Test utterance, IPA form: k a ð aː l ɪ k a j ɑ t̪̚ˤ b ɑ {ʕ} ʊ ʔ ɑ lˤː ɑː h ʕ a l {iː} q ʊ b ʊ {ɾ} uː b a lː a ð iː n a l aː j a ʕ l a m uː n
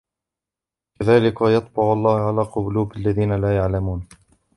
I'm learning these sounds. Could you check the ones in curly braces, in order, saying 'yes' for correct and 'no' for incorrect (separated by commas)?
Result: yes, no, no